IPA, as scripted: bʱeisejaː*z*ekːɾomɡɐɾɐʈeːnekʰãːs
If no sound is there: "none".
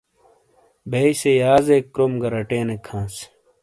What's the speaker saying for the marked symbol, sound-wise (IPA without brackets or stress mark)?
z